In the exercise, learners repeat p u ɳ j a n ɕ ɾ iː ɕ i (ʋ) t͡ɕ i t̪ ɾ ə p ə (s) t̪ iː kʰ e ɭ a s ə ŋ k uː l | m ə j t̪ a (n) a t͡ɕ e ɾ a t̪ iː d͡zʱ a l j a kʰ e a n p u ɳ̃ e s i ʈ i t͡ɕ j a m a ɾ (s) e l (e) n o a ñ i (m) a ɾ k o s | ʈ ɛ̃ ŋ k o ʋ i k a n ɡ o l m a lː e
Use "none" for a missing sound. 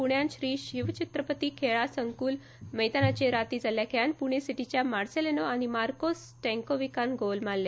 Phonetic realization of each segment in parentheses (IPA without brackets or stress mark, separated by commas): ʋ, none, n, s, e, m